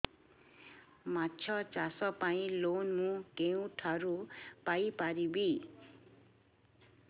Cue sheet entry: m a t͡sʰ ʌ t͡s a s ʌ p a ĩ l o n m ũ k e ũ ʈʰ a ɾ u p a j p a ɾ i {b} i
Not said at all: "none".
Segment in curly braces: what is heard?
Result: b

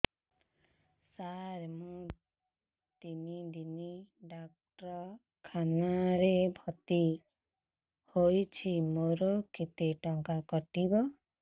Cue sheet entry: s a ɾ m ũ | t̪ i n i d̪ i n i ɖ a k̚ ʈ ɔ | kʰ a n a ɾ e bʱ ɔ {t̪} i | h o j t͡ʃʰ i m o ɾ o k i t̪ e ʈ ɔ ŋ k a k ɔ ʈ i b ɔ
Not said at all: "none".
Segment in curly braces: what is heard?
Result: t̪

